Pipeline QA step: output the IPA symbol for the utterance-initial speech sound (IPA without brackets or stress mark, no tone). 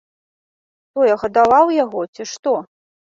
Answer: t̪